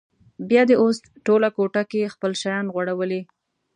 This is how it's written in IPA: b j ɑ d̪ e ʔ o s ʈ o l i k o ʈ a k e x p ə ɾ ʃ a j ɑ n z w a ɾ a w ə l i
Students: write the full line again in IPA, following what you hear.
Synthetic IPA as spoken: b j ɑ d̪ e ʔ o s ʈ o l a k o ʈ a k e x p ə l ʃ a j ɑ n ɣ w a ɽ a w ə l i